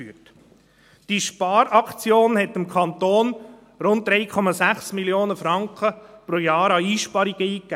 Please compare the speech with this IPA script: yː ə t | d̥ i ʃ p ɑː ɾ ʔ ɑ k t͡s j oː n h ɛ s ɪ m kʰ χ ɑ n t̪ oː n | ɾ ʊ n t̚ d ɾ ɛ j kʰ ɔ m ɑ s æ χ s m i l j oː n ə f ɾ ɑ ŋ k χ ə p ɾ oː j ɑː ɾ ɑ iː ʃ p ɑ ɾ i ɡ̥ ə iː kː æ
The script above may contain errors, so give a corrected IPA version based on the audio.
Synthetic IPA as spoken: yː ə t | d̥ i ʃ p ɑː ɾ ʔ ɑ k t͡s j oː n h ɛ t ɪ m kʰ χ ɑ n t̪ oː n | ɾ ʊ n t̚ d ɾ ɛ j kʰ ɔ m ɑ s æ χ s m i l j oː n ə f ɾ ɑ ŋ k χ ə p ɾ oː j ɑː ɾ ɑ iː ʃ p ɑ ɾ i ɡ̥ ə iː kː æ